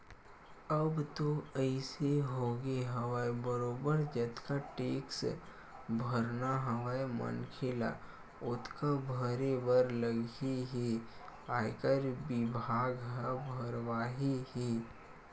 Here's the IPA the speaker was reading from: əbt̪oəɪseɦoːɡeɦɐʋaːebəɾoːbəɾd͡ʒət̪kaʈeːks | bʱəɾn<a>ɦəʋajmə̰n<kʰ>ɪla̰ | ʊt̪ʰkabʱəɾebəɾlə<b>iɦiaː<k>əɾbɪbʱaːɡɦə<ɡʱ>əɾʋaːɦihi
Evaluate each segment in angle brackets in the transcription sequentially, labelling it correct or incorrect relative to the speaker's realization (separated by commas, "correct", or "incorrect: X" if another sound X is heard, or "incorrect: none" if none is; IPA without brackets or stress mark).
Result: correct, correct, incorrect: ɡ, correct, incorrect: bʱ